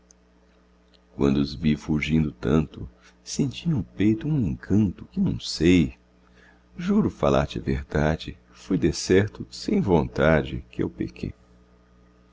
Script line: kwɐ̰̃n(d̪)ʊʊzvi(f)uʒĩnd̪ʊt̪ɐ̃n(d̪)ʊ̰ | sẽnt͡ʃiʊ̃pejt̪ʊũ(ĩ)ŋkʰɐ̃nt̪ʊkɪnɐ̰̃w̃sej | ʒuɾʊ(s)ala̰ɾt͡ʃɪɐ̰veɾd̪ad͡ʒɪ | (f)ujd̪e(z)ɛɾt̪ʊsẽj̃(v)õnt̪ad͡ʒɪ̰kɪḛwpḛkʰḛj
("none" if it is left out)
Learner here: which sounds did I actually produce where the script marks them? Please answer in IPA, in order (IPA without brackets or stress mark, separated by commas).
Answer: d̪, f, t̪, ẽ, f, f, s, v